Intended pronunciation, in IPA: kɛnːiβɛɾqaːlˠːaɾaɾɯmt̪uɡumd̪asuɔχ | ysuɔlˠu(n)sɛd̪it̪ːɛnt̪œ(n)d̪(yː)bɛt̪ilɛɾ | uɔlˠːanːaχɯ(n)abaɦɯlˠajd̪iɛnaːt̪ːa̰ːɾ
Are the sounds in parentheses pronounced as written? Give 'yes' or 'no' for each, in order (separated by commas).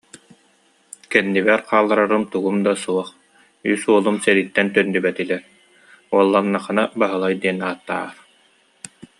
no, yes, no, yes